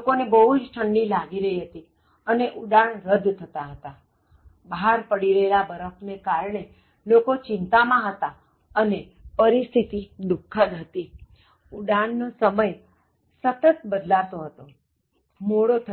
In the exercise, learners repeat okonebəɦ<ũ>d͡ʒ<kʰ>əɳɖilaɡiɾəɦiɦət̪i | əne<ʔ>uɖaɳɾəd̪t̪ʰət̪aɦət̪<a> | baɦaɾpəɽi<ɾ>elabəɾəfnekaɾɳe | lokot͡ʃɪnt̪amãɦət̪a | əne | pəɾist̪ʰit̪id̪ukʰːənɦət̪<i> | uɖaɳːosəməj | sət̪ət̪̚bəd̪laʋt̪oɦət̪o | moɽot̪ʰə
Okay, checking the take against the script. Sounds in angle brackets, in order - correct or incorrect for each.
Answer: incorrect: u, incorrect: ʈʰ, correct, correct, correct, correct

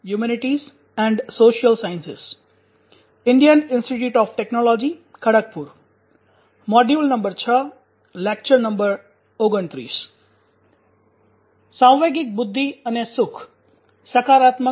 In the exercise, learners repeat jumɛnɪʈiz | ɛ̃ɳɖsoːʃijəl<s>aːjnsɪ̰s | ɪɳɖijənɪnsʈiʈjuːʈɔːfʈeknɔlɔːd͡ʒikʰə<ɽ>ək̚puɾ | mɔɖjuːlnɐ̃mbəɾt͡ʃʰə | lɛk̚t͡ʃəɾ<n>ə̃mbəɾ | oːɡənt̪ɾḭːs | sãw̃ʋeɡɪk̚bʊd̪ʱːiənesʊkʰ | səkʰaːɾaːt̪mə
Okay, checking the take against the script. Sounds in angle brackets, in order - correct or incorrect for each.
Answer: correct, correct, correct

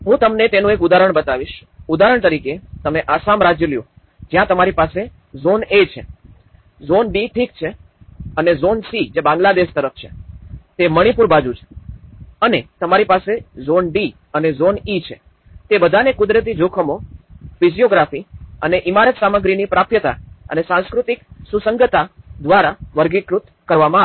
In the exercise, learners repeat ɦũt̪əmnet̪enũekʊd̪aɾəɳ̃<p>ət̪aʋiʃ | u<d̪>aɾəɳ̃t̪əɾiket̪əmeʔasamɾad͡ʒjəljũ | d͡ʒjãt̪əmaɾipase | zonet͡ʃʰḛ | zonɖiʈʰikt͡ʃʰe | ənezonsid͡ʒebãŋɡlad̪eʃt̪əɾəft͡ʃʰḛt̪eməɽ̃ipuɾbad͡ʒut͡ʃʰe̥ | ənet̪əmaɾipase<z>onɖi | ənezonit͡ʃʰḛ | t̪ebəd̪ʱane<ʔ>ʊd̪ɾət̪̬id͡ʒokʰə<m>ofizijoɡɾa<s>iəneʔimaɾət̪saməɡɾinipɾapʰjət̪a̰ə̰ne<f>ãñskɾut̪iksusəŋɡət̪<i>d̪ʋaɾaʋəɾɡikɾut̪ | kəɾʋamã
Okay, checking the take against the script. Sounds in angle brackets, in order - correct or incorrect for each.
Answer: incorrect: b, correct, correct, incorrect: k, correct, incorrect: f, incorrect: s, incorrect: a

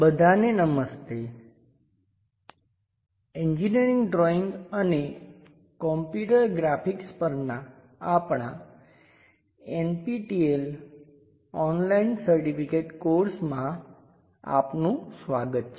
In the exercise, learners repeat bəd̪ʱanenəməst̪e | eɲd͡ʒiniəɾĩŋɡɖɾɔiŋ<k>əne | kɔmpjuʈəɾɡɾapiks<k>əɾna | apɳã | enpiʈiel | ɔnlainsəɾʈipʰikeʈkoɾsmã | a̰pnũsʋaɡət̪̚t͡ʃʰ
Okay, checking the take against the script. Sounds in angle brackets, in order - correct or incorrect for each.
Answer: incorrect: ɡ, incorrect: p

